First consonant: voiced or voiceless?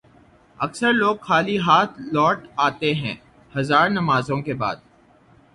voiceless